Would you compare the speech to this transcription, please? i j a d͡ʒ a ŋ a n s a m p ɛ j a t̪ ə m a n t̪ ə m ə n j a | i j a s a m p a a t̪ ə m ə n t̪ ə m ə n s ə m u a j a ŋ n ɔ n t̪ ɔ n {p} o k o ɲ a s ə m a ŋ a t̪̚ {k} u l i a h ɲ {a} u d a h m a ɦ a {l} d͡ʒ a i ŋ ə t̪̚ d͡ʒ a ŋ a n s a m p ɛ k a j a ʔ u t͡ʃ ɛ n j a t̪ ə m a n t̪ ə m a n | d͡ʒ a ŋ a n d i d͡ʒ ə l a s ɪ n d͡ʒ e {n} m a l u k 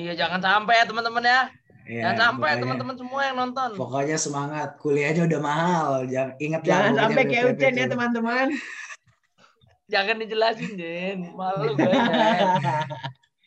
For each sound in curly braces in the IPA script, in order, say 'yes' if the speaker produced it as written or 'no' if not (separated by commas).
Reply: yes, yes, yes, yes, yes